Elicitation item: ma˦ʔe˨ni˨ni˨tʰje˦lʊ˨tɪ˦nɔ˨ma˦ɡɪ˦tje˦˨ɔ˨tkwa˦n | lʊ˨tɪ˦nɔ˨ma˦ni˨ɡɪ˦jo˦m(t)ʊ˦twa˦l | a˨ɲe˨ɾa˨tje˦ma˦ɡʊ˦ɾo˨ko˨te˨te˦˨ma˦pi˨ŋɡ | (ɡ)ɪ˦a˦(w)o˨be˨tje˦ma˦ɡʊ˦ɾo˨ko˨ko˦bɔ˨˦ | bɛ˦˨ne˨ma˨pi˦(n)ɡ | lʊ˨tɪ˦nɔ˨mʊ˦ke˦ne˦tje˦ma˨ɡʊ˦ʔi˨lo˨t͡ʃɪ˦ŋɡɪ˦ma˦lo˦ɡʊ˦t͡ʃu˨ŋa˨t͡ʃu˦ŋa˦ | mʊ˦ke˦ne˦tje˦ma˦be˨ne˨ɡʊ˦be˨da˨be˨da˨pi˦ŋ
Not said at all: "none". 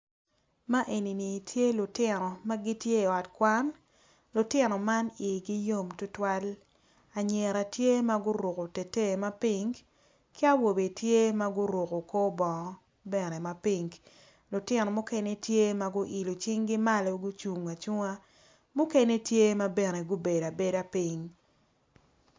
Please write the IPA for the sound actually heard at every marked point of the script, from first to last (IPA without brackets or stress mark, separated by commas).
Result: t, k, w, ŋ